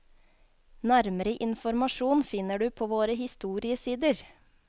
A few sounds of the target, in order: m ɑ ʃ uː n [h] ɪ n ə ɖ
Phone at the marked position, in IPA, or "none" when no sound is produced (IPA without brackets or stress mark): f